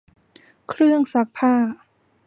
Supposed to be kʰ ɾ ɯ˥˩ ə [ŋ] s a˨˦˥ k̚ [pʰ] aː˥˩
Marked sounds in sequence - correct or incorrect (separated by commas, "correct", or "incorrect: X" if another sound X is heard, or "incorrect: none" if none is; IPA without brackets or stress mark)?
correct, correct